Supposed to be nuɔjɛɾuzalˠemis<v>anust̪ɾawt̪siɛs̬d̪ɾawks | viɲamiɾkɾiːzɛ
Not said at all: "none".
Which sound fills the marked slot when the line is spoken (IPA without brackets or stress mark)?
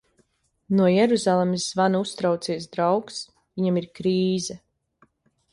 v